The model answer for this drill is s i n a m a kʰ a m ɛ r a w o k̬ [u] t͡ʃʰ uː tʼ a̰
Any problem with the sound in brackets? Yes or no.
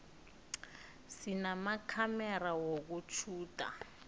no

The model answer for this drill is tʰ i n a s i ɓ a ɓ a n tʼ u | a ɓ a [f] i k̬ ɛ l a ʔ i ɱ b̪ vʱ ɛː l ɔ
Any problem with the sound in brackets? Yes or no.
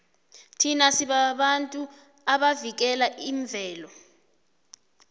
yes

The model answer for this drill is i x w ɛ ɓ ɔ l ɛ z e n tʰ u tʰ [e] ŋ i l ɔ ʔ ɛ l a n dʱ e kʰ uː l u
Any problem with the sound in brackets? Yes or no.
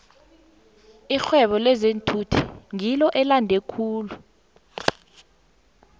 yes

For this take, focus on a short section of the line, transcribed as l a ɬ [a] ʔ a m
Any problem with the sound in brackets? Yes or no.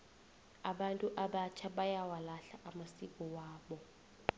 no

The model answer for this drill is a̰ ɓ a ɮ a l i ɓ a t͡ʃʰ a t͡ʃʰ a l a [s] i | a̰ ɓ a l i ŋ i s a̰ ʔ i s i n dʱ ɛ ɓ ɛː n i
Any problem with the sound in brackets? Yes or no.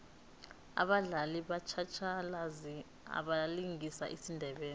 yes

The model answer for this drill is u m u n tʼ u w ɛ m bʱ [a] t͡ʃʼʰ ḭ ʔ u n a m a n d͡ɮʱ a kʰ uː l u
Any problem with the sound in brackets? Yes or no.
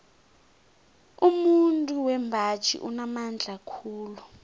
no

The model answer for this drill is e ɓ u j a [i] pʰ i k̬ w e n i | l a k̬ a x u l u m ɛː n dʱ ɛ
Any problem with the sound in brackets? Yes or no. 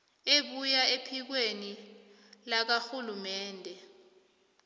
yes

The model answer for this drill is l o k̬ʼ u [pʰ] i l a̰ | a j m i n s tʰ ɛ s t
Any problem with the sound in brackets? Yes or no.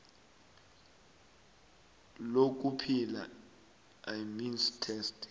no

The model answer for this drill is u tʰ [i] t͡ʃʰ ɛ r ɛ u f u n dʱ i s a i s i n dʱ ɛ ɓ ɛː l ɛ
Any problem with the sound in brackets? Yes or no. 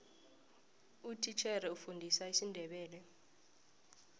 no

